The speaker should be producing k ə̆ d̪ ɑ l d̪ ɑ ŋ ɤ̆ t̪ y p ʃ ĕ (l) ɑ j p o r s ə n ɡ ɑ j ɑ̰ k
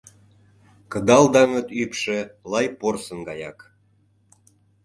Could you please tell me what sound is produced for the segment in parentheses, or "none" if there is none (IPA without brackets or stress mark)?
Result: l